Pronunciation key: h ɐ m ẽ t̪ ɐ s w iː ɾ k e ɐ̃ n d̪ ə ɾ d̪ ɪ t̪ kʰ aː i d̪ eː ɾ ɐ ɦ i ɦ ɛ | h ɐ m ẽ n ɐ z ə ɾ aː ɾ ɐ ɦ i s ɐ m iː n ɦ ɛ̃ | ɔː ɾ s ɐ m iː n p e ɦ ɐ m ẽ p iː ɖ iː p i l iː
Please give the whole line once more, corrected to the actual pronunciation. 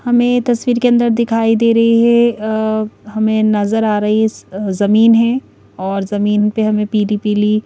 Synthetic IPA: h ɐ m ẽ t̪ ɐ s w iː ɾ k e ɐ̃ n d̪ ə ɾ d̪ ɪ kʰ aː i d̪ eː ɾ ɐ ɦ i ɦ ɛ | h ɐ m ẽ n ɐ z ə ɾ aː ɾ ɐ ɦ i z ɐ m iː n ɦ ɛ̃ | ɔː ɾ z ɐ m iː n p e ɦ ɐ m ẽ p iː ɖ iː p i l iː

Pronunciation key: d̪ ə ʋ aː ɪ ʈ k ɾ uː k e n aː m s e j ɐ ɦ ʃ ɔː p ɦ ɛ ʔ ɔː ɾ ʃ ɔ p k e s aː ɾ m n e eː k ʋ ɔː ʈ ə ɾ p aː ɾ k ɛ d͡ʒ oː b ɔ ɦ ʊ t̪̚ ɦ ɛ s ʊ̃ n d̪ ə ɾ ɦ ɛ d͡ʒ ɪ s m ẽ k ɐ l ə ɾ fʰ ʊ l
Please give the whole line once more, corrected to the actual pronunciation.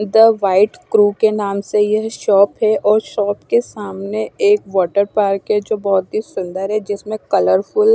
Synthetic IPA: d̪ ə ʋ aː ɪ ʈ k ɾ uː k e n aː m s e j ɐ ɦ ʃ ɔː p ɦ ɛ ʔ ɔː ɾ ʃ ɔː p k e s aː m n e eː k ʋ ɔː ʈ ə ɾ p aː ɾ k ɛ d͡ʒ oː b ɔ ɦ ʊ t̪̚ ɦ i s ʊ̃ n d̪ ə ɾ ɦ ɛ d͡ʒ ɪ s m ẽ k ɐ l ə ɾ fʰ ʊ l

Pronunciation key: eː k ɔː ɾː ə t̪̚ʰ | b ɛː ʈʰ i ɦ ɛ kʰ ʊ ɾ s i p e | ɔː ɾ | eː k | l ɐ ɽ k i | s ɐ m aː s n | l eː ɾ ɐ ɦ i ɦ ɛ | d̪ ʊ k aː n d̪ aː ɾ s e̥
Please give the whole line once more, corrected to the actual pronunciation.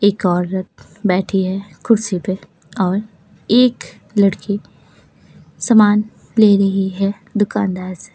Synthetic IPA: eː k ɔː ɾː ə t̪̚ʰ | b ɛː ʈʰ i ɦ ɛ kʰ ʊ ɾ s i p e | ɔː ɾ | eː k | l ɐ ɽ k i | s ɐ m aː n | l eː ɾ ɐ ɦ i ɦ ɛ | d̪ ʊ k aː n d̪ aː ɾ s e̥

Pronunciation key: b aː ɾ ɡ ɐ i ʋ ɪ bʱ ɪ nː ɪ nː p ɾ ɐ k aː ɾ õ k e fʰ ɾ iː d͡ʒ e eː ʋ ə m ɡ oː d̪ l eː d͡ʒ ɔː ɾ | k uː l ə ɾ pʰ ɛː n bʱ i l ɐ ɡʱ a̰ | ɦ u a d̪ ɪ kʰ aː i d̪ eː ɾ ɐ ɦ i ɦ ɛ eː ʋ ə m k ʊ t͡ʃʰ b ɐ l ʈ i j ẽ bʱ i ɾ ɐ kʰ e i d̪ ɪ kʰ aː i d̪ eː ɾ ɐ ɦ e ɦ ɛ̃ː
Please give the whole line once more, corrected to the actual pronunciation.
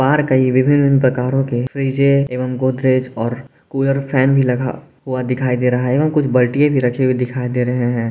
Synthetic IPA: b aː ɾ k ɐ i ʋ ɪ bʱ ɪ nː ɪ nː p ɾ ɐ k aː ɾ õ k e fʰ ɾ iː d͡ʒ e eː ʋ ə m ɡ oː d̪ ɾ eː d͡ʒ ɔː ɾ | k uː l ə ɾ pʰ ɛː n bʱ i l ɐ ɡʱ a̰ | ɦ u a d̪ ɪ kʰ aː i d̪ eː ɾ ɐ ɦ a ɦ ɛ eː ʋ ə m k ʊ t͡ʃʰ b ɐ l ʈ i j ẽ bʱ i ɾ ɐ kʰ e i d̪ ɪ kʰ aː i d̪ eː ɾ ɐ ɦ e ɦ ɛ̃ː

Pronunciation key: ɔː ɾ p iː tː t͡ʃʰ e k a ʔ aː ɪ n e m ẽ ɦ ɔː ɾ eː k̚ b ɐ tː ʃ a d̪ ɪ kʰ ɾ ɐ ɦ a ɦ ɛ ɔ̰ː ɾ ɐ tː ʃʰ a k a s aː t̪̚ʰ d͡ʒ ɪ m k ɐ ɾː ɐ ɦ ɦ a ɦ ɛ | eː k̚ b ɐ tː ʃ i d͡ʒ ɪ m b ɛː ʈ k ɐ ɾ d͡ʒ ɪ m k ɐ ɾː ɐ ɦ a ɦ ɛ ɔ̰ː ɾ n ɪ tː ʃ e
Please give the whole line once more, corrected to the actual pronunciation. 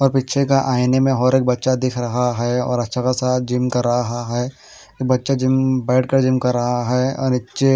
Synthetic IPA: ɔː ɾ p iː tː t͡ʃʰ e k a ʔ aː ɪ n e m ẽ ɦ ɔː ɾ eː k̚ b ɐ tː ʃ a d̪ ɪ kʰ ɾ ɐ ɦ a ɦ ɛ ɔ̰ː ɾ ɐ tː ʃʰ a k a s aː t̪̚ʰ d͡ʒ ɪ m k ɐ ɾː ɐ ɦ ɦ a ɦ ɛ | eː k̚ b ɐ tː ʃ a d͡ʒ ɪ m b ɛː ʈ k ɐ ɾ d͡ʒ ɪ m k ɐ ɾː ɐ ɦ a ɦ ɛ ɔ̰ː ɾ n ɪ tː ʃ e

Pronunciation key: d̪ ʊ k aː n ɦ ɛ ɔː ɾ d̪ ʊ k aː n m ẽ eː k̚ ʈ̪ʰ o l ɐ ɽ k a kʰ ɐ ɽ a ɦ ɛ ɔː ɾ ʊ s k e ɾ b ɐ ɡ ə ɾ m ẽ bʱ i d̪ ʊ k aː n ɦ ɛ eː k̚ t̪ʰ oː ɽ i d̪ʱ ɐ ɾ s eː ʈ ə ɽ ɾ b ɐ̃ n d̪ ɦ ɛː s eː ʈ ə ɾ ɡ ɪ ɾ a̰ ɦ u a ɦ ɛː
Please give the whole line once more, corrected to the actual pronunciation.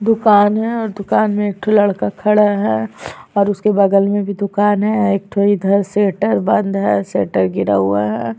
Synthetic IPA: d̪ ʊ k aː n ɦ ɛ ɔː ɾ d̪ ʊ k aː n m ẽ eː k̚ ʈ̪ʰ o l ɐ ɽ k a kʰ ɐ ɽ a ɦ ɛ ɔː ɾ ʊ s k e b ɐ ɡ ə l m ẽ bʱ i d̪ ʊ k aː n ɦ ɛ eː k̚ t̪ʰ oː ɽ i d̪ʱ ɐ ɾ s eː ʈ ə ɾ b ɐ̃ n d̪ ɦ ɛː s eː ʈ ə ɾ ɡ ɪ ɾ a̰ ɦ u a ɦ ɛː

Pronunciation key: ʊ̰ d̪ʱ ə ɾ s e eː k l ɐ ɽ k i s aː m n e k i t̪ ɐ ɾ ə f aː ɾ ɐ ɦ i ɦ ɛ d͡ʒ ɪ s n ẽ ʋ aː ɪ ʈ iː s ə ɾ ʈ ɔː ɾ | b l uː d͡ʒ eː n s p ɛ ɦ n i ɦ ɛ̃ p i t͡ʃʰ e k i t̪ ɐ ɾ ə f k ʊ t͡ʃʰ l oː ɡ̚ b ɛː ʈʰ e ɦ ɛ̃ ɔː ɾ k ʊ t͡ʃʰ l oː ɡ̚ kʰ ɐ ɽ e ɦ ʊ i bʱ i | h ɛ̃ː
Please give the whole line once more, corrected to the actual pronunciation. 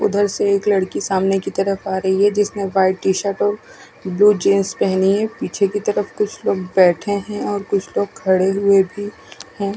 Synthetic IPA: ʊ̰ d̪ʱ ə ɾ s e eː k l ɐ ɽ k i s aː m n e k i t̪ ɐ ɾ ə f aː ɾ ɐ ɦ i ɦ ɛ d͡ʒ ɪ s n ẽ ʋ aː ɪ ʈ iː ʃ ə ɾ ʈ ɔː ɾ | b l uː d͡ʒ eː n s p ɛ ɦ n i ɦ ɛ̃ p iː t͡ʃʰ e k i t̪ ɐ ɾ ə f k ʊ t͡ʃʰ l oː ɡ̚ b ɛː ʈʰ e ɦ ɛ̃ ɔː ɾ k ʊ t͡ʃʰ l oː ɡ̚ kʰ ɐ ɽ e ɦ ʊ e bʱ i | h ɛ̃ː

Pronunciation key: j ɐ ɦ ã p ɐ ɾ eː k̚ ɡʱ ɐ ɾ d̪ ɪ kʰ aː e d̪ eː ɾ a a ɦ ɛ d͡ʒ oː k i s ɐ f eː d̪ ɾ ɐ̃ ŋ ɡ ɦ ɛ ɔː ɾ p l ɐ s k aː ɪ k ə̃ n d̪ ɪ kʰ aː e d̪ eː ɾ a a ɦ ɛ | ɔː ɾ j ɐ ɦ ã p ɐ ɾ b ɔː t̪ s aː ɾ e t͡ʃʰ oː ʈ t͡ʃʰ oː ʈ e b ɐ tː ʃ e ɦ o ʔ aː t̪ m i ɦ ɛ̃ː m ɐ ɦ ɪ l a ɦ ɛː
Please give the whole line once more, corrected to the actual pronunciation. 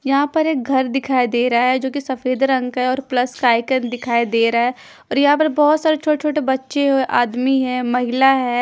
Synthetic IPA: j ɐ ɦ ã p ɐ ɾ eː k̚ ɡʱ ɐ ɾ d̪ ɪ kʰ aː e d̪ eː ɾ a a ɦ ɛ d͡ʒ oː k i s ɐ f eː d̪ ɾ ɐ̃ ŋ ɡ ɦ ɛ ɔː ɾ p l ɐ s k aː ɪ k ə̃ n d̪ ɪ kʰ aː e d̪ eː ɾ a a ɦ ɛ | ɔː ɾ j ɐ ɦ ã p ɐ ɾ b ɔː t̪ s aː ɾ e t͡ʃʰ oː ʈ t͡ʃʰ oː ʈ e b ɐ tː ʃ e ɦ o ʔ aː d̪ m i ɦ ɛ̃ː m ɐ ɦ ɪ l a ɦ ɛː

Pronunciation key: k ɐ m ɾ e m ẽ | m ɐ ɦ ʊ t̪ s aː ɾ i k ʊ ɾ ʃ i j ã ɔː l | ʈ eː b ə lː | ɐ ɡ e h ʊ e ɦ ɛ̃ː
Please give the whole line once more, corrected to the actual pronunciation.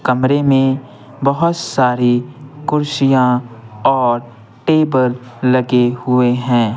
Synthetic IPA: k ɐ m ɾ e m ẽ | b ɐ ɦ ʊ t̪ s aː ɾ i k ʊ ɾ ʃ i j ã ɔː ɾ | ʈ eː b ə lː | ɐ ɡ e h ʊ e ɦ ɛ̃ː

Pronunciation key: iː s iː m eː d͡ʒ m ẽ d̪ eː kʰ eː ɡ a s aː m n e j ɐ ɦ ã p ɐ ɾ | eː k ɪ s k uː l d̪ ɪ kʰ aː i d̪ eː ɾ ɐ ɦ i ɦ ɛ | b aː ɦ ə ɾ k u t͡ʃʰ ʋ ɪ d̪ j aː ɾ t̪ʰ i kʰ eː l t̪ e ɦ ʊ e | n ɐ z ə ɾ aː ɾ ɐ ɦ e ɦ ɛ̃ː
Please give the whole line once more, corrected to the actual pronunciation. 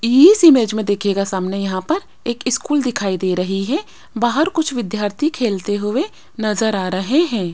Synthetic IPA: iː s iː m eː d͡ʒ m ẽ d̪ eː kʰ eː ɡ a s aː m n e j ɐ ɦ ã p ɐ ɾ | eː k ɪ s k uː l d̪ ɪ kʰ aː i d̪ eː ɾ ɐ ɦ i ɦ ɛ | b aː ɦ ə ɾ k ʊ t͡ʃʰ ʋ ɪ d̪ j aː ɾ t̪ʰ i kʰ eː l t̪ e ɦ ʊ e | n ɐ z ə ɾ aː ɾ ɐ ɦ e ɦ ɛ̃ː

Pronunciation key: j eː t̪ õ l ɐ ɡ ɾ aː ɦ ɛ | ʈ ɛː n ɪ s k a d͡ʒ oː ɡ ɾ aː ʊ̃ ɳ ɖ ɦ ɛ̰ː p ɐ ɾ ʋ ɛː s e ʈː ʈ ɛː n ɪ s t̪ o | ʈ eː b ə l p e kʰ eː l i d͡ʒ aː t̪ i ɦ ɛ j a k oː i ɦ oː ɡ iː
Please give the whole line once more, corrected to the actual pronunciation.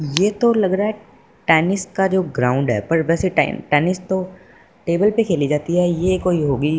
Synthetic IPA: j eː t̪ o l ɐ ɡ ɾ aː ɦ ɛ | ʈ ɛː n ɪ s k a d͡ʒ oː ɡ ɾ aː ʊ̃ ɳ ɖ ɦ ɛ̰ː p ɐ ɾ ʋ ɛː s e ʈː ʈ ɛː n ɪ s t̪ o | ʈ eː b ə l p e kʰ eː l i d͡ʒ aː t̪ i ɦ ɛ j e k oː i ɦ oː ɡ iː

